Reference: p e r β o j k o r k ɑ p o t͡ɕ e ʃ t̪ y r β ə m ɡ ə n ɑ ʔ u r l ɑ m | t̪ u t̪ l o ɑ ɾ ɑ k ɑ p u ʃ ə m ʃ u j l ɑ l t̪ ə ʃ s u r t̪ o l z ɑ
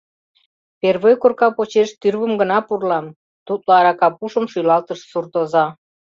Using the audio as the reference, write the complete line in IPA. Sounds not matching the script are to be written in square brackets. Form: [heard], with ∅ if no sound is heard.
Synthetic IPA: p e r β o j k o r k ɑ p o t͡ɕ e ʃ t̪ y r β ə m ɡ ə n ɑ [p] u r l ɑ m | t̪ u t̪ l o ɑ ɾ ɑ k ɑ p u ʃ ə m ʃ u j l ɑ l t̪ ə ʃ s u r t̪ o [∅] z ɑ